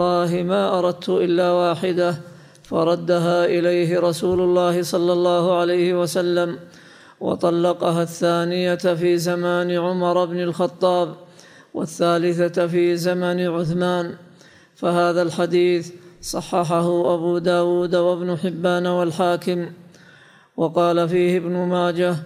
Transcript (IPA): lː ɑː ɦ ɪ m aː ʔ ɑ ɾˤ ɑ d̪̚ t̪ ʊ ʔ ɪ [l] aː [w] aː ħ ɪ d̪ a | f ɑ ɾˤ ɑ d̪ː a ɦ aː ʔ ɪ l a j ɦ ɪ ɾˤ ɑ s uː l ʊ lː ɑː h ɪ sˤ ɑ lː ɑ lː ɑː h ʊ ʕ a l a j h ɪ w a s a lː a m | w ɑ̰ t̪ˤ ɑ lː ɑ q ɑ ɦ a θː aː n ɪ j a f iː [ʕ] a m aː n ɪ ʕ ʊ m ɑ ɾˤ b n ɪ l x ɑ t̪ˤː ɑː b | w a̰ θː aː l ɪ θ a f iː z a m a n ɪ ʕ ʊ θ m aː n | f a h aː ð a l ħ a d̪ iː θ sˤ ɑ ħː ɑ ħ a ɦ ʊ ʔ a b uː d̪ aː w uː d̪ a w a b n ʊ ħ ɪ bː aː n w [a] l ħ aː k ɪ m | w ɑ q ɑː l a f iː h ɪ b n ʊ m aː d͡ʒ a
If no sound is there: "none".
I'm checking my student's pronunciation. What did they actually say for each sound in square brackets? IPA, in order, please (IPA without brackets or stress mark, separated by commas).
lː, w, z, a